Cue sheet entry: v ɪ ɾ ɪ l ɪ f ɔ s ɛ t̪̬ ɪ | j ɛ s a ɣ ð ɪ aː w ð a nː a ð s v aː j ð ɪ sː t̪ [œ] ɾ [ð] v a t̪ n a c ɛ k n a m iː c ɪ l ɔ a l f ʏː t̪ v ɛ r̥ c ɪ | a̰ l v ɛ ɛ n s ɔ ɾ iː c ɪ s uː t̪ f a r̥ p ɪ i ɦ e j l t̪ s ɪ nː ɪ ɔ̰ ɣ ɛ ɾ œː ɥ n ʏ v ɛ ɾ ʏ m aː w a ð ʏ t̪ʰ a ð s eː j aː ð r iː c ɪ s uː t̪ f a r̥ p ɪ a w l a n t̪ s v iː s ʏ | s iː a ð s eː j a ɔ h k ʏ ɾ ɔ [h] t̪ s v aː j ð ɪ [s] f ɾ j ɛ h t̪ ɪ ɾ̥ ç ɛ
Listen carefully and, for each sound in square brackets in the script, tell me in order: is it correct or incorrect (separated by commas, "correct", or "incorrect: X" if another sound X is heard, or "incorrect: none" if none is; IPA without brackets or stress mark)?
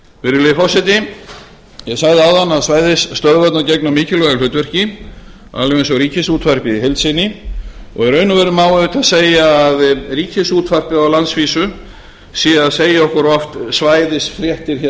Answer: correct, correct, incorrect: f, correct